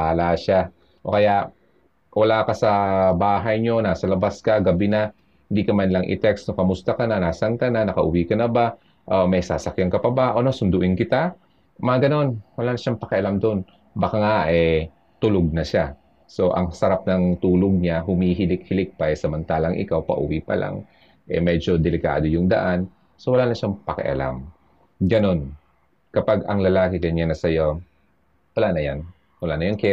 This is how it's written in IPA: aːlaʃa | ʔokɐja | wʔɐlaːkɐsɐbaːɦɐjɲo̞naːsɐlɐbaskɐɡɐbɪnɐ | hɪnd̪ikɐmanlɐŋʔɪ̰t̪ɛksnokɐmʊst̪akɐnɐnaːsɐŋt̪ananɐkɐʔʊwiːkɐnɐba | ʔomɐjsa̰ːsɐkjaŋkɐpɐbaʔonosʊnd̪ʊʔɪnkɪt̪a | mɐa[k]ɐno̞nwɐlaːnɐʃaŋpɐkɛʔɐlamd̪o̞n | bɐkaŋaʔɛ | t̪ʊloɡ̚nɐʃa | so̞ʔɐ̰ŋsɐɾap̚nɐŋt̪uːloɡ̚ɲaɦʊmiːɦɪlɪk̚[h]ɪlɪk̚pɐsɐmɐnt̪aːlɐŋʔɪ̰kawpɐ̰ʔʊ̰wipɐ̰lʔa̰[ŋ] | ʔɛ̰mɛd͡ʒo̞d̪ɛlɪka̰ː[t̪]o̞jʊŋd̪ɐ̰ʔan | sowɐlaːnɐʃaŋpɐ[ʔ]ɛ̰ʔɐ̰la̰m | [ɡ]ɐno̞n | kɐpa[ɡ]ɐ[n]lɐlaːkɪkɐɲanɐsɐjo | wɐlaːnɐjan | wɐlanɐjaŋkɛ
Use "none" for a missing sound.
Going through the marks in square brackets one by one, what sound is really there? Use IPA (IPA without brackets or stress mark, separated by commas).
ɡ, h, ŋ, d̪, k, ɡ, ɡ, ŋ